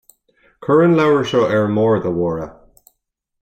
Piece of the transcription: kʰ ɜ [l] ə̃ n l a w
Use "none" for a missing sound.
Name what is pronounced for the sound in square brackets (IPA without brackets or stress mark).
ɹ